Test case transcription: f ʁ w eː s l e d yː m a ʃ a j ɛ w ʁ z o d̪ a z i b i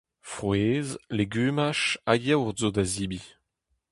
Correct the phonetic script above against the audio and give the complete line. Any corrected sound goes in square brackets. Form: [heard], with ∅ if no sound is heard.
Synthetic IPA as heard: f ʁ w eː [z] l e [ɡ] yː m a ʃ a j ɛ w ʁ z o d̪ a z i b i